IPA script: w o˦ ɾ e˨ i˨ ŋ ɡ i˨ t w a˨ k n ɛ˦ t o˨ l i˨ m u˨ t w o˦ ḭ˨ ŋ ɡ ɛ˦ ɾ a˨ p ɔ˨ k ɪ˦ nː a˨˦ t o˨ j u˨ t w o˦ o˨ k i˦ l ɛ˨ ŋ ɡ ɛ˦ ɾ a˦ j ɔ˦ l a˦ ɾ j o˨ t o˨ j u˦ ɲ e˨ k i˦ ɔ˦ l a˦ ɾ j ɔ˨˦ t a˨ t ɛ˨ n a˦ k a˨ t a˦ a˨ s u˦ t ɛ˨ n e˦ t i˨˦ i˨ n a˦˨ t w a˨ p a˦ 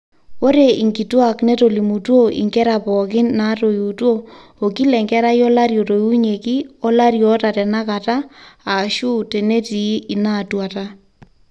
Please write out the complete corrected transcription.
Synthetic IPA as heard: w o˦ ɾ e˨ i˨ ŋ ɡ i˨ t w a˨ k n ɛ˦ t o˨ l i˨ m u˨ t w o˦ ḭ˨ ŋ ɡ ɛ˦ ɾ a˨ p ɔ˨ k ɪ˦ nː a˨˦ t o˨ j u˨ t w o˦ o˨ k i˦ l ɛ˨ ŋ ɡ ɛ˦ ɾ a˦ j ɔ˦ l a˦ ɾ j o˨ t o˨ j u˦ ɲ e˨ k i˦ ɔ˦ l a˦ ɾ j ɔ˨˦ t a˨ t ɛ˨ n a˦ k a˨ t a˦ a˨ ʃ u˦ t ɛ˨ n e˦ t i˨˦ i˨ n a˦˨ t w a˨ t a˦